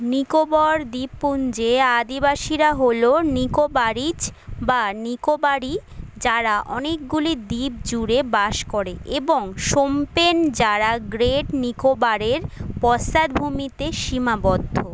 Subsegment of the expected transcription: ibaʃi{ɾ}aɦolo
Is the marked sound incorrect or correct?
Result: correct